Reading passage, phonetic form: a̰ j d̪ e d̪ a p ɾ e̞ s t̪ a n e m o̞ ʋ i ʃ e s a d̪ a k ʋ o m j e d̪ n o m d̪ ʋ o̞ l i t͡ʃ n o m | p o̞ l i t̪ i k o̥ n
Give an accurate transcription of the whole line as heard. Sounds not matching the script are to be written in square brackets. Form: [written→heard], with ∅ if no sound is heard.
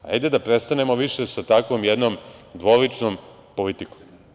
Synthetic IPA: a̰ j d̪ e d̪ a p ɾ e̞ s t̪ a n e m o̞ ʋ i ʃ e s a [d̪→t̪] a k ʋ o m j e d̪ n o m d̪ ʋ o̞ l i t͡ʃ n o m | p o̞ l i t̪ i k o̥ [n→m]